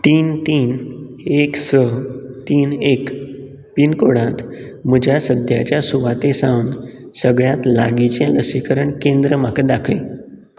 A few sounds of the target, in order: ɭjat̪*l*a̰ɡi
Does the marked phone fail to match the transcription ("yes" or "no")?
no